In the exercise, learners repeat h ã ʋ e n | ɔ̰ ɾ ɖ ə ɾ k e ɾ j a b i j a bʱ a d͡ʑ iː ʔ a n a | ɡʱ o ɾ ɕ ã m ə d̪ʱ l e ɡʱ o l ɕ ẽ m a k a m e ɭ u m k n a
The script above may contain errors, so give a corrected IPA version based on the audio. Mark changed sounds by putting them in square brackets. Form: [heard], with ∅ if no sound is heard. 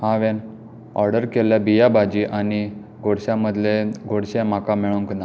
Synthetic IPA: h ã ʋ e n | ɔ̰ ɾ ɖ ə ɾ k e [l] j a b i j a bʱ a d͡ʑ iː ʔ a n [i] | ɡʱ o [ɽ] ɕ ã m ə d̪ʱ l e ɡʱ o [ɽ] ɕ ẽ m a k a m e ɭ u [ŋ] k n a